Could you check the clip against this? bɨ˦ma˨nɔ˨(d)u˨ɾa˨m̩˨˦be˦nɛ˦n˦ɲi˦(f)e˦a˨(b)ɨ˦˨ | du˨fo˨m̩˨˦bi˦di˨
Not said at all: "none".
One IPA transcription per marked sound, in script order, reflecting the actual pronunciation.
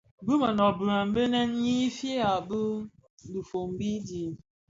b, f, b

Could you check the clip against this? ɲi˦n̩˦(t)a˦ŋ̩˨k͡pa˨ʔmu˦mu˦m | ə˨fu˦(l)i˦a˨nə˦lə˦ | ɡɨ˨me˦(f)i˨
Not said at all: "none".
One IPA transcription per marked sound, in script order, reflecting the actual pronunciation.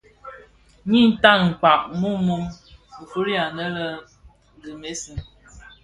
t, ɾ, s

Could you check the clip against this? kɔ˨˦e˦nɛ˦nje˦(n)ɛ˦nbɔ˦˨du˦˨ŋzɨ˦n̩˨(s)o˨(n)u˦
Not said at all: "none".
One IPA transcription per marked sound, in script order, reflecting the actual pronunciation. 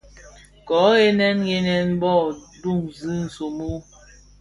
n, s, m

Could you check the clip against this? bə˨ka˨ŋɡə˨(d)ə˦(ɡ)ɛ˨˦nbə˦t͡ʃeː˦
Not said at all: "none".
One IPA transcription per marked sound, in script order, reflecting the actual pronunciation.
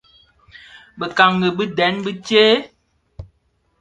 b, d

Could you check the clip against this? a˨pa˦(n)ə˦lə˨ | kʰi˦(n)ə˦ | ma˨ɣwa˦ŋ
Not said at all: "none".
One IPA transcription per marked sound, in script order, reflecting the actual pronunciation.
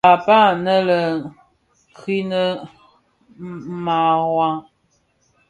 n, n

